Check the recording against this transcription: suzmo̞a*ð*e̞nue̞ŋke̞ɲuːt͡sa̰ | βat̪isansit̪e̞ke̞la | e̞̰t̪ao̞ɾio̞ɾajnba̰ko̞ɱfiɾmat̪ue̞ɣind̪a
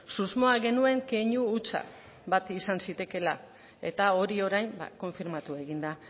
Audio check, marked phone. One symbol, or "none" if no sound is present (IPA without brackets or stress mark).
ɣ